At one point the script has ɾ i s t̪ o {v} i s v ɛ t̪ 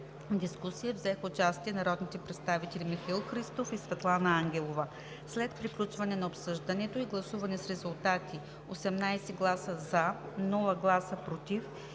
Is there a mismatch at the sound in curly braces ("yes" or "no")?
yes